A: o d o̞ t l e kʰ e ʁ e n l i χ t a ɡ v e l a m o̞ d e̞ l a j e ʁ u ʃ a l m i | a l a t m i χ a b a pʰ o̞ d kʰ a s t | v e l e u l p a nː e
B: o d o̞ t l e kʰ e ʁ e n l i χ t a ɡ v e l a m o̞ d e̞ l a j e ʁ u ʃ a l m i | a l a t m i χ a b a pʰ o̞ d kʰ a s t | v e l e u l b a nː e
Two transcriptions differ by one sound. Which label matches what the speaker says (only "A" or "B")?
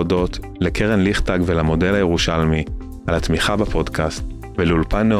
A